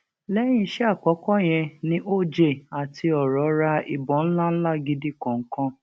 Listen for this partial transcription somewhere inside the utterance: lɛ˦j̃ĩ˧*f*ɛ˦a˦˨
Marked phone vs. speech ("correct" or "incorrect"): incorrect